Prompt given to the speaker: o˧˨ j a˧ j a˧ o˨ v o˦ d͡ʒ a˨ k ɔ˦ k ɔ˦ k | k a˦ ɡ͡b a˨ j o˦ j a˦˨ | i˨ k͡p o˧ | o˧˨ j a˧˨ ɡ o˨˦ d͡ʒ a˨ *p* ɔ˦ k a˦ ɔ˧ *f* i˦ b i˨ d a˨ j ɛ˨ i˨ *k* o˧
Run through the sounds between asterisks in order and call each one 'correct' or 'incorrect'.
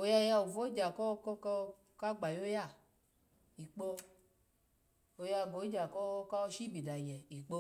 incorrect: k, incorrect: ʃ, incorrect: k͡p

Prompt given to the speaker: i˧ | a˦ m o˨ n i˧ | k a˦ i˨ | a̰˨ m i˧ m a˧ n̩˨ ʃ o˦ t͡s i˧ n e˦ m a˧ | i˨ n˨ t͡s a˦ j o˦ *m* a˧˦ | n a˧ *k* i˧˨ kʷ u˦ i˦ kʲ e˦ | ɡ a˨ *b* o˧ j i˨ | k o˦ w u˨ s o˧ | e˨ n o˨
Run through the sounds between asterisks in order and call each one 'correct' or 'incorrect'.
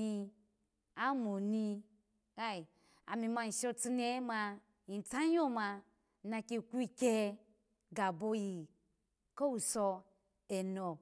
correct, correct, correct

